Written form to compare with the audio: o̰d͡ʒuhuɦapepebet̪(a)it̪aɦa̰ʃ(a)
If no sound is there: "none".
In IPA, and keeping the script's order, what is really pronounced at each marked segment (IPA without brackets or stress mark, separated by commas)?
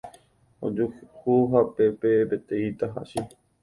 e, i